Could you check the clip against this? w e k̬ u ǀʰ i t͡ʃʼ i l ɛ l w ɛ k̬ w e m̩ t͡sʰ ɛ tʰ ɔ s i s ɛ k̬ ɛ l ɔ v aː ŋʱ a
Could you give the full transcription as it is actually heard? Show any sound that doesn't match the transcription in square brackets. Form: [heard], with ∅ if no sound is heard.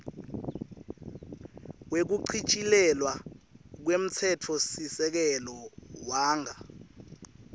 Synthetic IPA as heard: w e k̬ u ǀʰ i t͡ʃʼ i l ɛ l w [a] k̬ w e m̩ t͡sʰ ɛ tʰ ɔ s i s ɛ k̬ ɛ l ɔ [w] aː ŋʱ a